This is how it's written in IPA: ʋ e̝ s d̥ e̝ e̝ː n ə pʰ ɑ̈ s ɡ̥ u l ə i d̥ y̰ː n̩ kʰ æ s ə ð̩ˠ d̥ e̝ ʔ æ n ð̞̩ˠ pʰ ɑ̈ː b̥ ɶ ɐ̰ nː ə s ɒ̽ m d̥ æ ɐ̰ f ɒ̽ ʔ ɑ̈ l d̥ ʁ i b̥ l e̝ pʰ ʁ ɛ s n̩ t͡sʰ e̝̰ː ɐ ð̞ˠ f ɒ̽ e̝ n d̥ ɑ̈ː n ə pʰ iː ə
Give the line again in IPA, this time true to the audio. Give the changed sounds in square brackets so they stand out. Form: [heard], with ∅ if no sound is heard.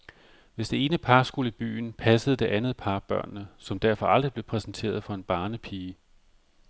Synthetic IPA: ʋ e̝ s d̥ e̝ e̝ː n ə pʰ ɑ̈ s ɡ̥ u l ə i [b̥] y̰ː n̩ [pʰ] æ s ə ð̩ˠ d̥ e̝ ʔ æ n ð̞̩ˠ pʰ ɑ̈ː b̥ ɶ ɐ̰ nː ə s ɒ̽ m d̥ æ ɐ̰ f ɒ̽ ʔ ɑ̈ l d̥ ʁ i b̥ l e̝ pʰ ʁ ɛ s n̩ t͡sʰ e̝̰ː ɐ ð̞ˠ f ɒ̽ e̝ n [b̥] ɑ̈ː n ə pʰ iː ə